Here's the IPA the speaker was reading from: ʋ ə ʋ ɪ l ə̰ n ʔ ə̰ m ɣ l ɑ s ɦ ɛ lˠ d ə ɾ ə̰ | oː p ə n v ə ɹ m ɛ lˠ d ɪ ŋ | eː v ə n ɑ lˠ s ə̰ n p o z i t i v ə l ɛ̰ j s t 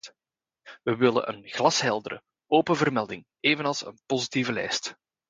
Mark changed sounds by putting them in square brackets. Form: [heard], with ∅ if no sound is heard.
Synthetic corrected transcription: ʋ ə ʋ ɪ l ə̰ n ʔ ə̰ [n] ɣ l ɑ s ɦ ɛ lˠ d ə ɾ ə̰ | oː p ə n v ə [r] m ɛ lˠ d ɪ ŋ | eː v ə n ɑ lˠ s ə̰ n p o z i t i v ə l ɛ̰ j s t